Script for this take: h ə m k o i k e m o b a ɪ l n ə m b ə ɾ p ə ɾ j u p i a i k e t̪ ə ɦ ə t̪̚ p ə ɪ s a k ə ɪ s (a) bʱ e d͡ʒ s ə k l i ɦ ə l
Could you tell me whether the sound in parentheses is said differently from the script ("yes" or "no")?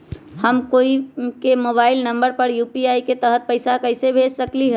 yes